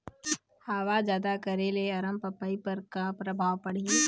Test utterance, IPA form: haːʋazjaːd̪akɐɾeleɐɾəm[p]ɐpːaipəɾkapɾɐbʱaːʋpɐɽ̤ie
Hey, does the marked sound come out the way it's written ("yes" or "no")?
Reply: yes